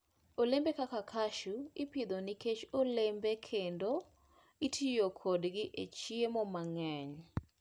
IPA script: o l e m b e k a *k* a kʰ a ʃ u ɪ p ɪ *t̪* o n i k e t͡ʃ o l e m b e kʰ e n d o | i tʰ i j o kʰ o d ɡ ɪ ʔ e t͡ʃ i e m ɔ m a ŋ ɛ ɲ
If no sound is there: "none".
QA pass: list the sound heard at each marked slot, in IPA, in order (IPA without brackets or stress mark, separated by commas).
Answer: k, d̪